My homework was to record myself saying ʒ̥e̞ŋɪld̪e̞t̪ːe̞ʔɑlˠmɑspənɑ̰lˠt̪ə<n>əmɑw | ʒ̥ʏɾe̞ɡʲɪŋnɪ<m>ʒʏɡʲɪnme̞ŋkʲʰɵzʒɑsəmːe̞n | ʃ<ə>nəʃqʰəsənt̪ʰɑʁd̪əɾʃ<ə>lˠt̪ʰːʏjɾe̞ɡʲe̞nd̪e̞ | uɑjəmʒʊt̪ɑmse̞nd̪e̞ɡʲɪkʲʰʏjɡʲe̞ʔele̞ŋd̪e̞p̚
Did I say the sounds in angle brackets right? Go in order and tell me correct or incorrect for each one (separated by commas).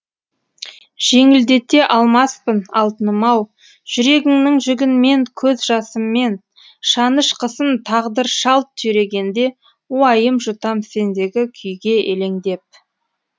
correct, incorrect, incorrect, incorrect